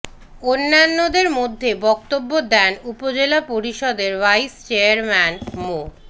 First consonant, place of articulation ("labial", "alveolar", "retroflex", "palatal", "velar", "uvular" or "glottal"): alveolar